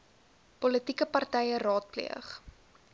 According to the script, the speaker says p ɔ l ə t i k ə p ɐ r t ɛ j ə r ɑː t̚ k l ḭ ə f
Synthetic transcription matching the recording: p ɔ l ə t i k ə p ɐ r t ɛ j ə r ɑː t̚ p l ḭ ə χ